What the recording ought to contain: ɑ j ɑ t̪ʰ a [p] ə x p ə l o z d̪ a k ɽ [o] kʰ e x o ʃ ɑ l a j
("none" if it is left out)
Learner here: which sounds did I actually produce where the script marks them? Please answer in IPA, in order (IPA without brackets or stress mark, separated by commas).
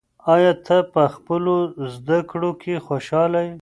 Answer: p, o